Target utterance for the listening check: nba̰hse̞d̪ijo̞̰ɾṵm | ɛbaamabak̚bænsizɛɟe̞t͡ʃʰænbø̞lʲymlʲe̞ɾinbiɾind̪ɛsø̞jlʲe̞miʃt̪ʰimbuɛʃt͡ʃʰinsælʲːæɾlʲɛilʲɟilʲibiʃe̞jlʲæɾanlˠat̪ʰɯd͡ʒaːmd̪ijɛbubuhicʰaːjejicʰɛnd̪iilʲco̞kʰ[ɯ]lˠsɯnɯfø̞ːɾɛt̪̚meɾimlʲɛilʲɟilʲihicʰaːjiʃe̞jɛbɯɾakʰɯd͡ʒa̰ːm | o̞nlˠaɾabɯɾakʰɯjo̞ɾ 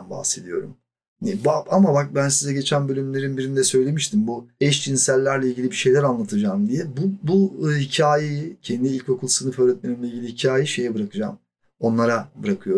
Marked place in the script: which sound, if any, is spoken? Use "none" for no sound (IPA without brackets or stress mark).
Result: u